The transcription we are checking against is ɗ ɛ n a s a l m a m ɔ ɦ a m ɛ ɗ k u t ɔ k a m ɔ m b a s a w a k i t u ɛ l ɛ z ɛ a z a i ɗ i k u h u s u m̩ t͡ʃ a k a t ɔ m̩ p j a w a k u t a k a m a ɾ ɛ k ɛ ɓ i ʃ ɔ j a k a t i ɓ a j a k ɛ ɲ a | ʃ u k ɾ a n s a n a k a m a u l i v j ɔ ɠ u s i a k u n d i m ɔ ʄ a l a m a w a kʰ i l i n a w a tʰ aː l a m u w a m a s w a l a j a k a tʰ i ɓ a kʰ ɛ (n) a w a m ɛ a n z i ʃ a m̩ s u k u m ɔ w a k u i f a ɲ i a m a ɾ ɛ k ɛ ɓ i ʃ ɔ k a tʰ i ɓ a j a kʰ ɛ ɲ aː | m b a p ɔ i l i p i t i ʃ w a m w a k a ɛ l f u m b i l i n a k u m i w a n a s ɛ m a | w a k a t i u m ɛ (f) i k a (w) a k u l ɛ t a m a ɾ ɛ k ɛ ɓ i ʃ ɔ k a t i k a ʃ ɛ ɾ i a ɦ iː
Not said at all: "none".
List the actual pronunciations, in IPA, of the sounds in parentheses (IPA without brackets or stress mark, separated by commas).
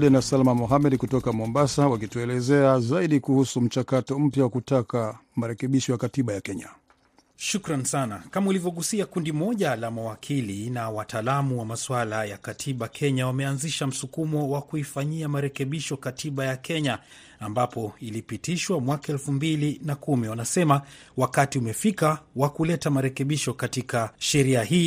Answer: ɲ, f, w